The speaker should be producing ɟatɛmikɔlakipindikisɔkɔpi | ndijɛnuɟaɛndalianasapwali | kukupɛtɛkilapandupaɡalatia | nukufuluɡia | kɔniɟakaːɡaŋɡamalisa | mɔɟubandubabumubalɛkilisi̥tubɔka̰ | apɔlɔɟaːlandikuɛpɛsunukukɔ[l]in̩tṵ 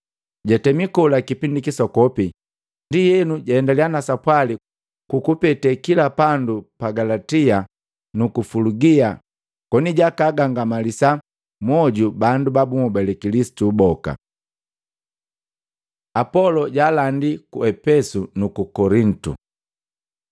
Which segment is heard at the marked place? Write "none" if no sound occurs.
ɾ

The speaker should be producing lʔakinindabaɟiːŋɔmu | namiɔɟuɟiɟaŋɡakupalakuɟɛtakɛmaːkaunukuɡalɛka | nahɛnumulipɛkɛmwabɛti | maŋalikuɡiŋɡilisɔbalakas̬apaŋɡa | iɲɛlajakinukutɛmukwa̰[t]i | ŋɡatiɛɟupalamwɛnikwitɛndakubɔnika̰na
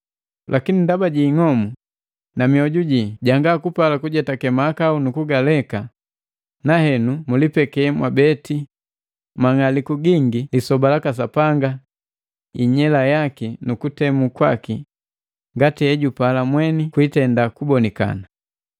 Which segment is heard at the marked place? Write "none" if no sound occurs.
k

